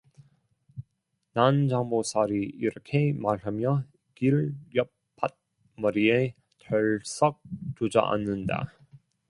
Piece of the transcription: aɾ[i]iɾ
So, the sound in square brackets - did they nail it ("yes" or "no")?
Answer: yes